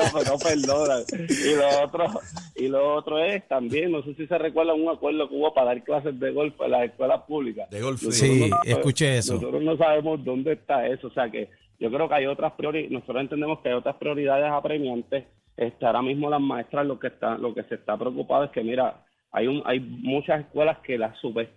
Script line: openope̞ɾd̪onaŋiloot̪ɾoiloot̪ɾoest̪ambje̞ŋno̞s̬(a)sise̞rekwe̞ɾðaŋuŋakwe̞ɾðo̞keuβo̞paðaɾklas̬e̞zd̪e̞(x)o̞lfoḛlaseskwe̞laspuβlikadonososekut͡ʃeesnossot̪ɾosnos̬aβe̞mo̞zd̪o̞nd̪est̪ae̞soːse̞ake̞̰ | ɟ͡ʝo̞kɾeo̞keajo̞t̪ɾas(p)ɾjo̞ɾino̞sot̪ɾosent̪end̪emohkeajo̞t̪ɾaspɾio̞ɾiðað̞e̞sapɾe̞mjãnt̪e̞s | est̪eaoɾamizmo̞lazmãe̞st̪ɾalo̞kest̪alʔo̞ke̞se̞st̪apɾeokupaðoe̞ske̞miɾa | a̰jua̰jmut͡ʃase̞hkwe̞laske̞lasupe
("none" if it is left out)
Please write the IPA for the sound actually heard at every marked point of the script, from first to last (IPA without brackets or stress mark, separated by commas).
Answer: e, ɣ, p